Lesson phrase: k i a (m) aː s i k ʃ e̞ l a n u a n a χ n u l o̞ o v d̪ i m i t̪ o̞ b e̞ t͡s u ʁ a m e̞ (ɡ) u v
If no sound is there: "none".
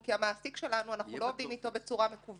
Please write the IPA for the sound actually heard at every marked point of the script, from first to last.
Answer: m, k

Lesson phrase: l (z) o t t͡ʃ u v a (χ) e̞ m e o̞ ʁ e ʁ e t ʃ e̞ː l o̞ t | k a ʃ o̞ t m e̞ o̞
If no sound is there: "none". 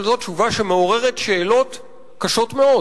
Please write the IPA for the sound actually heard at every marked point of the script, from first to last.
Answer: z, ʃ

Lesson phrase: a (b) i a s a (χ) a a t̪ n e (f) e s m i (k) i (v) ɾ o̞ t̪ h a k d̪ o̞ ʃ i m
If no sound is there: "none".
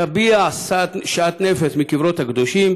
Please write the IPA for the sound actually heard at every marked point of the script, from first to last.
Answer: b, ʃ, f, k, v

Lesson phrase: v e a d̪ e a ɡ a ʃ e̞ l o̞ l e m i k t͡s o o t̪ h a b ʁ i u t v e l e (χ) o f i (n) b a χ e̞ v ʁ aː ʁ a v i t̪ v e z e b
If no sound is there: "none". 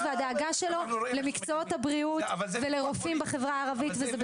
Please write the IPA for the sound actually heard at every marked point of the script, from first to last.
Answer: ʁ, m

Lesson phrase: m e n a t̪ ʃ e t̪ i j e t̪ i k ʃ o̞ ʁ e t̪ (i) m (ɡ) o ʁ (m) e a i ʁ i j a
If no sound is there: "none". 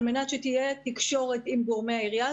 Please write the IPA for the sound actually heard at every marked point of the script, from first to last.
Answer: i, ɡ, m

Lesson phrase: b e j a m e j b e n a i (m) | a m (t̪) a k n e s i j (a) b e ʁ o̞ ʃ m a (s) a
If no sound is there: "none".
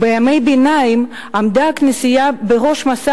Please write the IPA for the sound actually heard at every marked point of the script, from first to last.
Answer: m, d̪, a, s

